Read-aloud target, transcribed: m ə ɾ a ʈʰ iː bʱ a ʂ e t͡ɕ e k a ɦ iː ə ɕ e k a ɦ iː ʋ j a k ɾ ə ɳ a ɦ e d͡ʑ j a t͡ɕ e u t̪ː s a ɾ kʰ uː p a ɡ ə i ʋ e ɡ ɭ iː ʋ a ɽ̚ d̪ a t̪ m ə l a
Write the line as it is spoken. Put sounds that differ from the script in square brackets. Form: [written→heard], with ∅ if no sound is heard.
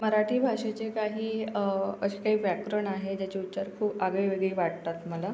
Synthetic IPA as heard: m ə ɾ a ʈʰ iː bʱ a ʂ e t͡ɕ e k a ɦ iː ə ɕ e k a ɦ iː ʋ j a k ɾ ə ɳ a ɦ e d͡ʑ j a t͡ɕ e u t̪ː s a ɾ kʰ uː p a ɡ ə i ʋ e ɡ ɭ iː ʋ a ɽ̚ [d̪→t̪] a t̪ m ə l a